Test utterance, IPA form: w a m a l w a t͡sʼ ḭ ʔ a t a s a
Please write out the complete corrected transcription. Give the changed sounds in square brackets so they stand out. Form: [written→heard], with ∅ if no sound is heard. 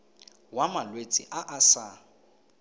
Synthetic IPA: w a m a l w [a→e] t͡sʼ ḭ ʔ a [t→ʔ] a s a